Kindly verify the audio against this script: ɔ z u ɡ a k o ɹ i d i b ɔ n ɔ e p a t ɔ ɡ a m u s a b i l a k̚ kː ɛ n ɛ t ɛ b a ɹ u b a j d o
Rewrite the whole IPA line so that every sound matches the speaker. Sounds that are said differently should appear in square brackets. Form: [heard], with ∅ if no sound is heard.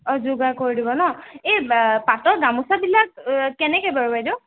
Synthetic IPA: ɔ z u ɡ a k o ɹ i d i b ɔ n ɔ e p a t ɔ ɡ a m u s a b i l a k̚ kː ɛ n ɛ [k] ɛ b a ɹ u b a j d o